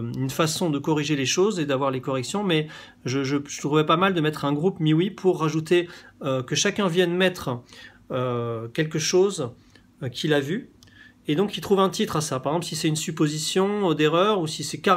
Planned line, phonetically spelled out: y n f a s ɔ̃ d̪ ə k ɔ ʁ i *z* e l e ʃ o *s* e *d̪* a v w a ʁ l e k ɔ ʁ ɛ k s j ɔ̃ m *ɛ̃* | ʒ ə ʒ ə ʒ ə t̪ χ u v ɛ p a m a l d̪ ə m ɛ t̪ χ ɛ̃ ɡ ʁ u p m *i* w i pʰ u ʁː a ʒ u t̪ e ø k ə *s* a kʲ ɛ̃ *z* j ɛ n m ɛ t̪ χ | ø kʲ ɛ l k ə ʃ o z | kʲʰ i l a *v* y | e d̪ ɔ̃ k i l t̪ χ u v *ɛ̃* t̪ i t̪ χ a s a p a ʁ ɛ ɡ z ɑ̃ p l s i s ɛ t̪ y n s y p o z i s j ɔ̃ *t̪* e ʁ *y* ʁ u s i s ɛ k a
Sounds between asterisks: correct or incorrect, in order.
incorrect: ʒ, incorrect: z, correct, incorrect: ɛ, correct, incorrect: ʃ, incorrect: v, correct, correct, incorrect: d̪, incorrect: œ

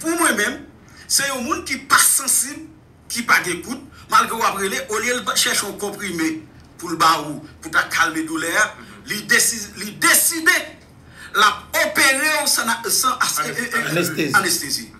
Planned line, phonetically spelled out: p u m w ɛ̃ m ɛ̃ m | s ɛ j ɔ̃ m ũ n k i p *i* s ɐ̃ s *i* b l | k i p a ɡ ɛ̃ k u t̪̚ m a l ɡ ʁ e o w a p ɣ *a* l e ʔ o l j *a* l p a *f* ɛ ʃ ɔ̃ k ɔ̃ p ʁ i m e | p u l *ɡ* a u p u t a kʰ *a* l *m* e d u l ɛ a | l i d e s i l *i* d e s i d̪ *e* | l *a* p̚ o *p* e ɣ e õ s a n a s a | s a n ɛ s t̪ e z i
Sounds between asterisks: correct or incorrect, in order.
incorrect: a, correct, incorrect: e, incorrect: e, incorrect: ʃ, incorrect: b, correct, correct, correct, correct, correct, correct

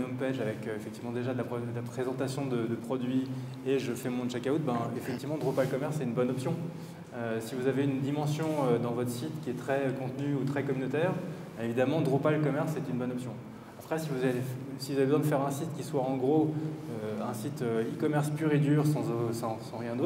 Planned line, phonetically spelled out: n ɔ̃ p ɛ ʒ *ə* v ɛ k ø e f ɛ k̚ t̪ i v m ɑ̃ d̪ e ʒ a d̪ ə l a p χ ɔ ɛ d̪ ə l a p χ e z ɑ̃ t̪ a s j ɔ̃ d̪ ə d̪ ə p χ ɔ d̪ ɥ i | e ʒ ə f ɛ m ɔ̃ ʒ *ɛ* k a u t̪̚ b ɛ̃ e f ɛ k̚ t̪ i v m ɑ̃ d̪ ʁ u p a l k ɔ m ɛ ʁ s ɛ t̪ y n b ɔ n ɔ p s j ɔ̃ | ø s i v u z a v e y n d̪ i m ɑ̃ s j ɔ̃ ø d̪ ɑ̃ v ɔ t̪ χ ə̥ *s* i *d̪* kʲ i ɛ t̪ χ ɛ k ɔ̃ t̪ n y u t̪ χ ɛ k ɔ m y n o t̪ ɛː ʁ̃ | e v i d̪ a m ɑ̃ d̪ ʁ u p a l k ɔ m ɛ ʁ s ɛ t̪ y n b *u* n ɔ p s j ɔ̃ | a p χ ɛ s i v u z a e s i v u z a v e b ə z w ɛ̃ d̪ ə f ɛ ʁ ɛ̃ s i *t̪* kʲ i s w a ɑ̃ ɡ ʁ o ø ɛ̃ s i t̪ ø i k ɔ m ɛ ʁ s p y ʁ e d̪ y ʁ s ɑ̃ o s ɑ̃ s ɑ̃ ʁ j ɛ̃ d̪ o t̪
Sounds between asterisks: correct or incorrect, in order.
incorrect: a, incorrect: a, correct, incorrect: t̪, incorrect: ɔ, correct

